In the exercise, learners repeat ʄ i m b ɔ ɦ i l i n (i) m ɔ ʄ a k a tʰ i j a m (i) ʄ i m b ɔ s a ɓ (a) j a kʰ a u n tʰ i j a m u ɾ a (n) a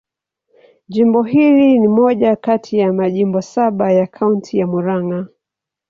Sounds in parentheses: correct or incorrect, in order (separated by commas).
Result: correct, incorrect, correct, incorrect